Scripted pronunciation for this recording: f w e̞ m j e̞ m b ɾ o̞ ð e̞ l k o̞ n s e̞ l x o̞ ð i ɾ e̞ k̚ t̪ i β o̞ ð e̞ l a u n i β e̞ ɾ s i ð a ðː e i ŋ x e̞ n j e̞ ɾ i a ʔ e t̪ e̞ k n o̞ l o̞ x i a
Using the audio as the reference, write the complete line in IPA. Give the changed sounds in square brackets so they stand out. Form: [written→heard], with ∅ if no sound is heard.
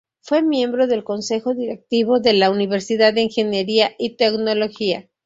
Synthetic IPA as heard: f w e̞ m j e̞ m b ɾ o̞ ð e̞ l k o̞ n s e̞ [l→∅] x o̞ ð i ɾ e̞ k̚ t̪ i β o̞ ð e̞ l a u n i β e̞ ɾ s i ð a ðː e i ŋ x e̞ n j e̞ ɾ i a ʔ [e→i] t̪ e̞ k n o̞ l o̞ x i a